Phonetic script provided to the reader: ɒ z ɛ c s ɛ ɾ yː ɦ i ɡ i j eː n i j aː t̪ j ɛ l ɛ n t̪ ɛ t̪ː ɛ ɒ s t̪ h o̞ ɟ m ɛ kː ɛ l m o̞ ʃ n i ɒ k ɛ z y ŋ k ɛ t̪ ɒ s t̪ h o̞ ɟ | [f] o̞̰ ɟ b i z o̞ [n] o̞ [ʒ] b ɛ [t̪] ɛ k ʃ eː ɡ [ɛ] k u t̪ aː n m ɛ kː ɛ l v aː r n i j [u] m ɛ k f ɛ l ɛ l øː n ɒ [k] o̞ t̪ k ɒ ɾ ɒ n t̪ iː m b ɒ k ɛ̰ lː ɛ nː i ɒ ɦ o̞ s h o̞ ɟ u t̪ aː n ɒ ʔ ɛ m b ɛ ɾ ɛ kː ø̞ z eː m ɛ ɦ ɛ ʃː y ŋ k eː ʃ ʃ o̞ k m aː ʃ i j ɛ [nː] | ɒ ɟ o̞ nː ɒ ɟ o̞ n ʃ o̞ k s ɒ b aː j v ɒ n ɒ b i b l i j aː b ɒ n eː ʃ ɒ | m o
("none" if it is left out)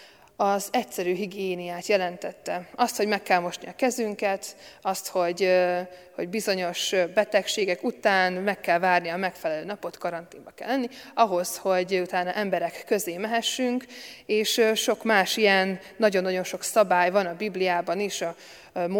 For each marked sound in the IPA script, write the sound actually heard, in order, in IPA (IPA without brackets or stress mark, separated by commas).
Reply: h, ɲ, ʃ, t̪, ɛ, ɒ, p, nː